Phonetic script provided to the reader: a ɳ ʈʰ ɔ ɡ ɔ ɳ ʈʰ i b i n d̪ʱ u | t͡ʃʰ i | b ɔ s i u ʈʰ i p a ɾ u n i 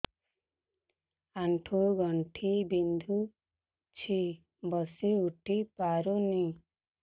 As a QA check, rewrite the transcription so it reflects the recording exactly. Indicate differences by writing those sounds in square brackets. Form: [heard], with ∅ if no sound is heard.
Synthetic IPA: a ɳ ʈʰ [u] ɡ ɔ ɳ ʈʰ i b i n d̪ʱ u | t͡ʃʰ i | b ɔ s i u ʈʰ i p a ɾ u n i